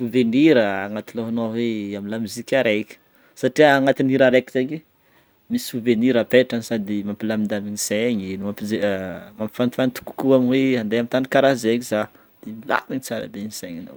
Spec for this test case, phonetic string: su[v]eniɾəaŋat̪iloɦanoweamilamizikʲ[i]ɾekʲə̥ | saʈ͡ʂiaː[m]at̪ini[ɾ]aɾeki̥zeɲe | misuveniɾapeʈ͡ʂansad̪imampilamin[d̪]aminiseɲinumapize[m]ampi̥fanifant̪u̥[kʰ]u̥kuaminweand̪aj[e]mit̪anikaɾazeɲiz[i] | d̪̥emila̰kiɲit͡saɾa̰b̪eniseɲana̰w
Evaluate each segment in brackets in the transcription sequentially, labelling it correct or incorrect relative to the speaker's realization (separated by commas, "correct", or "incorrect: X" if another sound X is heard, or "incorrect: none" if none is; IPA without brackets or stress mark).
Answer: correct, incorrect: a, incorrect: ŋ, correct, correct, correct, incorrect: k, incorrect: a, incorrect: a